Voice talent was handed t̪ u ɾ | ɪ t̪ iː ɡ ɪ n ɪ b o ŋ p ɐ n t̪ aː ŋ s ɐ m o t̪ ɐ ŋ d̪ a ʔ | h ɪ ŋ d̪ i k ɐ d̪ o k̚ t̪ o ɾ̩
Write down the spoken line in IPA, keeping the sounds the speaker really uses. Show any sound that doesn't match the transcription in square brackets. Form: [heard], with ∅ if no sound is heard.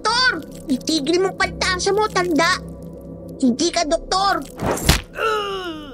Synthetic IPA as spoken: t̪ [o] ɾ | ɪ t̪ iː ɡ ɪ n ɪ [m] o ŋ p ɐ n t̪ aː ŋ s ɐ m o t̪ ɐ [n] d̪ a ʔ | h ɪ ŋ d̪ i k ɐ d̪ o k̚ t̪ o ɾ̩